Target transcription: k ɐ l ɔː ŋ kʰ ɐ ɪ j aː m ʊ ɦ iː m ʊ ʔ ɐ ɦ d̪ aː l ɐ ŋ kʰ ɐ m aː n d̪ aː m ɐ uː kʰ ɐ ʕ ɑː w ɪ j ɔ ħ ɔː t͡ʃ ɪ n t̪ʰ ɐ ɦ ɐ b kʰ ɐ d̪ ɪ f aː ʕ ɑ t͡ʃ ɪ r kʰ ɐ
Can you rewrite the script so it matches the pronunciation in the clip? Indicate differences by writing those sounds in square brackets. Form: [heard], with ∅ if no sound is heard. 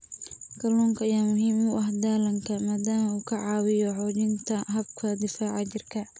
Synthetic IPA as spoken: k ɐ l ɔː ŋ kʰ ɐ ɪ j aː m ʊ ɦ iː m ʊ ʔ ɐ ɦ d̪ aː l ɐ ŋ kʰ ɐ m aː [∅] d̪ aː m ɐ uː kʰ ɐ ʕ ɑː w ɪ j ɔ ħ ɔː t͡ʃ ɪ n t̪ʰ ɐ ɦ ɐ b kʰ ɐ d̪ ɪ f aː ʕ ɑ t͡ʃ ɪ r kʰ ɐ